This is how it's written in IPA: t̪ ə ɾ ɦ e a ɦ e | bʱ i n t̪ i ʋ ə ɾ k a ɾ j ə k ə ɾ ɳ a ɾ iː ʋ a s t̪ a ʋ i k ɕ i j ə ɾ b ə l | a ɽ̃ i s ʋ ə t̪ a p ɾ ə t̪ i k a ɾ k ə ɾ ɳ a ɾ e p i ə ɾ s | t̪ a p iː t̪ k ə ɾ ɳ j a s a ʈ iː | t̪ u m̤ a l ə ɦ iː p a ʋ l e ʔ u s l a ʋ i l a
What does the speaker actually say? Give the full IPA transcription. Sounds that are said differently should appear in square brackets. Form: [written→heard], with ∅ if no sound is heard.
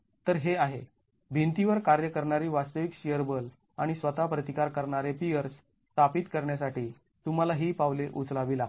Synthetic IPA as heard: t̪ ə ɾ ɦ e a ɦ e | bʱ i n t̪ i ʋ ə ɾ k a ɾ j ə k ə ɾ ɳ a ɾ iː ʋ a s t̪ [a→ə] ʋ i k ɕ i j ə ɾ b ə l | a ɽ̃ i s ʋ ə t̪ a p ɾ ə t̪ i k a ɾ k ə ɾ ɳ a ɾ e p i ə ɾ s | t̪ a p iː t̪ k ə ɾ ɳ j a s a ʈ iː | t̪ u m̤ a l [ə→a] ɦ iː p a ʋ l e ʔ u [s→t͡s] l a ʋ i l a

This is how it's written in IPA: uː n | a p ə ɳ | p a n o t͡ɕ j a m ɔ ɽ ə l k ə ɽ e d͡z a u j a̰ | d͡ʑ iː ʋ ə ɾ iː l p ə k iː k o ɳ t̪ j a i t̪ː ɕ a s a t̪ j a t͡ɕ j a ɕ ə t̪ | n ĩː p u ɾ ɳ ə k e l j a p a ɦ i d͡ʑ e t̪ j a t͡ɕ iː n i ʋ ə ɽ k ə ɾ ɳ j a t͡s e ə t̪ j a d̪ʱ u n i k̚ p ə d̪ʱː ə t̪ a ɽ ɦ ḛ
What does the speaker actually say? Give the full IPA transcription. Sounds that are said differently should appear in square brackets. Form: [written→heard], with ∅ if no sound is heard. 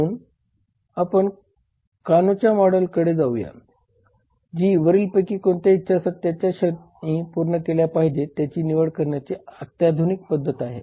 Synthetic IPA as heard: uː n | a p ə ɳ | [p→k] a n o t͡ɕ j a m ɔ ɽ ə l k ə ɽ e d͡z a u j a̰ | d͡ʑ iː ʋ ə ɾ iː l p ə k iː k o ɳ t̪ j a i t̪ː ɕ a s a t̪ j a t͡ɕ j a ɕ ə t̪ | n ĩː p u ɾ ɳ ə k e l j a p a ɦ i d͡ʑ e t̪ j a t͡ɕ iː n i ʋ ə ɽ k ə ɾ ɳ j a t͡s e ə t̪ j a d̪ʱ u n i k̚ p ə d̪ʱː ə t̪ a [ɽ→∅] ɦ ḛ

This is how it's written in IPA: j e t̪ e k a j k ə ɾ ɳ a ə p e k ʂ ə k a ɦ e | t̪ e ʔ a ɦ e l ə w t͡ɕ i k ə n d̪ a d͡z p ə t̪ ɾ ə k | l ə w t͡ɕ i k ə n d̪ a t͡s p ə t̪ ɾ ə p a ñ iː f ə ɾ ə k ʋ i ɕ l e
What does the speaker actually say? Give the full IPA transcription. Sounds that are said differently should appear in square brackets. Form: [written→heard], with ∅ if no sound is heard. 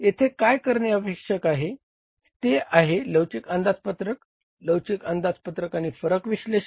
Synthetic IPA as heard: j e [t̪→t̪ʰ] e k a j k ə ɾ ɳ [a→e] ə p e k ʂ ə k a ɦ e | t̪ e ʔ a ɦ e l ə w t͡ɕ i k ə n d̪ a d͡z p ə t̪ ɾ ə k | l ə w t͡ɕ i k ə n d̪ a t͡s p ə t̪ ɾ ə [p→k] a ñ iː f ə ɾ ə k ʋ i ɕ l e

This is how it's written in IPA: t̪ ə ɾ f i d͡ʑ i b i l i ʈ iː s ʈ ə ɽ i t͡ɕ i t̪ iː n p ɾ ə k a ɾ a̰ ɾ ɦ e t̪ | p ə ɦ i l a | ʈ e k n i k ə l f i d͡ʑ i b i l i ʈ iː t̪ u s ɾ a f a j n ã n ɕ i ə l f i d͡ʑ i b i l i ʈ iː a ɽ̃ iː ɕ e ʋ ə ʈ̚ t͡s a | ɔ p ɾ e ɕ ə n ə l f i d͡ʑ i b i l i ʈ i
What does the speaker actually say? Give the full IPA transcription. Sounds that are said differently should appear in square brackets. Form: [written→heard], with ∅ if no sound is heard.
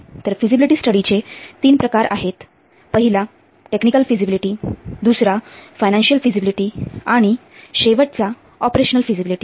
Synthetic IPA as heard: t̪ ə ɾ f i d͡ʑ i b i l i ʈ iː s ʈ ə ɽ i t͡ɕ [i→e] t̪ iː n p ɾ ə k a ɾ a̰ [ɾ→∅] ɦ e t̪ | p ə ɦ i l a | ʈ e k n i k ə l f i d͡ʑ i b i l i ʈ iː [t̪→d̪] u s ɾ a f a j n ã n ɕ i ə l f i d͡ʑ i b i l i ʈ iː a ɽ̃ [iː→i] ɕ e ʋ ə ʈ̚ t͡s a | ɔ p ɾ e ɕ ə n ə l f i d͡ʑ i b i l i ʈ i

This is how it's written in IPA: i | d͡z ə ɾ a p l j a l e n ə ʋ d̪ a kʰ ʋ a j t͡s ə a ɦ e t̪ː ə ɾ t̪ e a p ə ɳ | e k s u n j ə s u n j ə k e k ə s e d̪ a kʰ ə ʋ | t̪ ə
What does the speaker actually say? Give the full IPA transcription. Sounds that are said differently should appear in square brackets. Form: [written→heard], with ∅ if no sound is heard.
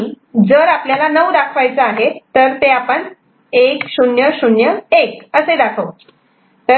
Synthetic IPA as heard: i | d͡z ə ɾ a p l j a l [e→a] n ə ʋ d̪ a kʰ ʋ a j t͡s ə a ɦ e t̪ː ə ɾ t̪ e a p ə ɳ | e k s u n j ə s u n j ə [k→∅] e k ə s e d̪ a kʰ ə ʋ | t̪ ə

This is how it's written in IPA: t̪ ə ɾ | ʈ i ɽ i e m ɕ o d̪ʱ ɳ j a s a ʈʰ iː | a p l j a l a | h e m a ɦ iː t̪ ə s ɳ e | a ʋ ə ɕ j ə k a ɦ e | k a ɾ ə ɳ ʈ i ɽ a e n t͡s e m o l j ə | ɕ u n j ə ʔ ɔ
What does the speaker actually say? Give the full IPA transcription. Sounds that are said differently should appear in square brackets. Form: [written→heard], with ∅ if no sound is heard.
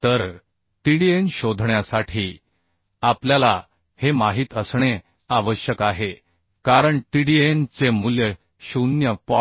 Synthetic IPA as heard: t̪ ə ɾ | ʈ i ɽ i e [m→n] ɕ o d̪ʱ ɳ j a s a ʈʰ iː | a p l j a l a | h e m a ɦ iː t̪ ə s ɳ e | a ʋ ə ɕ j ə k a ɦ e | k a ɾ ə ɳ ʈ i ɽ [a→i] e n t͡s e m [o→u] l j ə | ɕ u n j ə [ʔ→p] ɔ

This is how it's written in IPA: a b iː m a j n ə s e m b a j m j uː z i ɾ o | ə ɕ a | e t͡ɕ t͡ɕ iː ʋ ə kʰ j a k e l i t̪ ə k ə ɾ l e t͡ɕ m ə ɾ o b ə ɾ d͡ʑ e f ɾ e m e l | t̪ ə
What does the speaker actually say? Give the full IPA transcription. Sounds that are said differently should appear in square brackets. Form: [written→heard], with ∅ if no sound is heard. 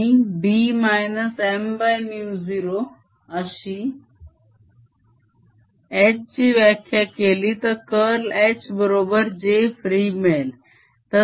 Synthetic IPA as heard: [a→i] b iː m a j n ə s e m b a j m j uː z i ɾ o | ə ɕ [a→i] | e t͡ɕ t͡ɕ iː ʋ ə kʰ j a k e l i t̪ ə k ə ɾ l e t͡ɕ [m→b] ə ɾ o b ə ɾ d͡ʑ e f ɾ [e→i] m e l | t̪ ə

